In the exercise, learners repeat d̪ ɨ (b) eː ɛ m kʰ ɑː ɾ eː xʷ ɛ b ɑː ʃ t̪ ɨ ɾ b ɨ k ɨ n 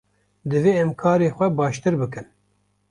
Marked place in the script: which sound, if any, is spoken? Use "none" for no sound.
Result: v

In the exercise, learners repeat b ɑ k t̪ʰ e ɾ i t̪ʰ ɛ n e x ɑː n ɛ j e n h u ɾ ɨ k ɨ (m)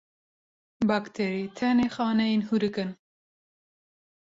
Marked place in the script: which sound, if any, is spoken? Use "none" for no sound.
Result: n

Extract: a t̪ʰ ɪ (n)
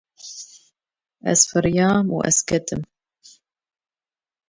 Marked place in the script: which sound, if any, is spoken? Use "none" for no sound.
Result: m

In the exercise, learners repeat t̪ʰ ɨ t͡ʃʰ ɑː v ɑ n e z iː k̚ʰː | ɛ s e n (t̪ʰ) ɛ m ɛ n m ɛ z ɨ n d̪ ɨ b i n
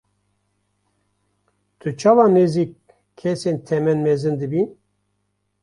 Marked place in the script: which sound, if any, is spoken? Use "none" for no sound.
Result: t̪ʰ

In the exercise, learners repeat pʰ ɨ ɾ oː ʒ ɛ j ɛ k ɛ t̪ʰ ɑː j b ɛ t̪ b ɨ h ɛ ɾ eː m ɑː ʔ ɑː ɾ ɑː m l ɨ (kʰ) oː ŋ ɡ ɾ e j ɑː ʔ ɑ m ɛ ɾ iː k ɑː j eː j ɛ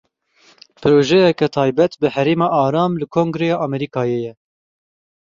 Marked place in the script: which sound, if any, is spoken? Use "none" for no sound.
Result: kʰ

